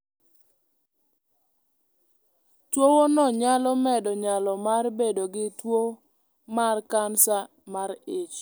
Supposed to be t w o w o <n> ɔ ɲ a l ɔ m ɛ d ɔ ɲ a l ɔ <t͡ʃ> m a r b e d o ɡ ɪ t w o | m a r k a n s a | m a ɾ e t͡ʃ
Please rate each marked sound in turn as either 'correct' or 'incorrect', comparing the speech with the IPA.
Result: correct, incorrect: none

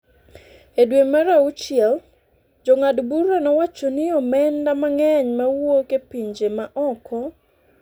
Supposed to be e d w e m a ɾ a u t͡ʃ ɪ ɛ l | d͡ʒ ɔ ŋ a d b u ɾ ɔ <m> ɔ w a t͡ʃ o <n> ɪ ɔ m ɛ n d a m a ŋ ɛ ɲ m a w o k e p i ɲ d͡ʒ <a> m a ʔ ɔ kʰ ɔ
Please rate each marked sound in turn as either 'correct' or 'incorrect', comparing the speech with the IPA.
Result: incorrect: n, correct, incorrect: e

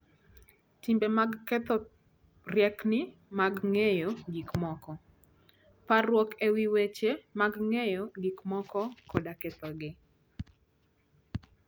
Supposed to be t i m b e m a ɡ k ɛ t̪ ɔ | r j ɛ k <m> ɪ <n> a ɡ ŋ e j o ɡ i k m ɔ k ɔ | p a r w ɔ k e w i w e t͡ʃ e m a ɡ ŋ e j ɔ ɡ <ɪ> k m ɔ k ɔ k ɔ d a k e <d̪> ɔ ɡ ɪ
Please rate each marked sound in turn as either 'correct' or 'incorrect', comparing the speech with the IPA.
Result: incorrect: n, incorrect: m, incorrect: i, incorrect: t̪

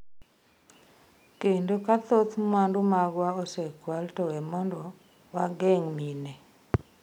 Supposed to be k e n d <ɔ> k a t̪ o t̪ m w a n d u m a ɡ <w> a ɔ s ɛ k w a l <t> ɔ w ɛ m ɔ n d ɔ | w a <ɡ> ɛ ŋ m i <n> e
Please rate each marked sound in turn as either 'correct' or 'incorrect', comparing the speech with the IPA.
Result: incorrect: o, correct, correct, correct, correct

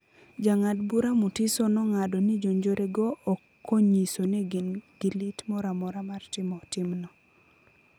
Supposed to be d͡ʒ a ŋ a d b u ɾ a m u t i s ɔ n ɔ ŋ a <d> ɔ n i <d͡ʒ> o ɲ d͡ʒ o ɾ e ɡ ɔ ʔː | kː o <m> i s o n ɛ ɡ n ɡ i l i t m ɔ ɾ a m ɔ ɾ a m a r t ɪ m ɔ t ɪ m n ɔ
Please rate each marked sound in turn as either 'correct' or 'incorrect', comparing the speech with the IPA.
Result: correct, correct, incorrect: ɲ

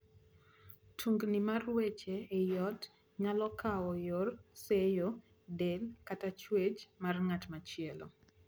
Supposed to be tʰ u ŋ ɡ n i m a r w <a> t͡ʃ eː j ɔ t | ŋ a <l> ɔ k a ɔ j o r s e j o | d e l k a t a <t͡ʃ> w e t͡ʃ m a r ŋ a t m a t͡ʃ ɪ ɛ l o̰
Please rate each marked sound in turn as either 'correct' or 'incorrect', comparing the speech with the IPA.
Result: incorrect: e, correct, correct

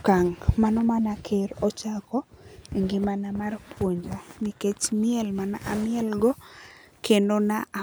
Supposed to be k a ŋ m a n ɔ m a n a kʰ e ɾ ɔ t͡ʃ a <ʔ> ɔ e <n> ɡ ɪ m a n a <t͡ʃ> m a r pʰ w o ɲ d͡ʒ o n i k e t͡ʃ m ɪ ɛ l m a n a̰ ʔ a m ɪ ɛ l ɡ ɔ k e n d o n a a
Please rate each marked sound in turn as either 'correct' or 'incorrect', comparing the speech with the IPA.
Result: incorrect: k, incorrect: ŋ, incorrect: none

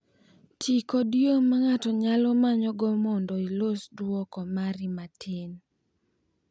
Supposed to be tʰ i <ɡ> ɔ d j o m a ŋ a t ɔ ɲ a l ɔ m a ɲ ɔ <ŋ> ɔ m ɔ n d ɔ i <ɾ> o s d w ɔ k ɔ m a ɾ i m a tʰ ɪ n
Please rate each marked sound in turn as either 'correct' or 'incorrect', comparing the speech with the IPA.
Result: incorrect: k, incorrect: ɡ, incorrect: l

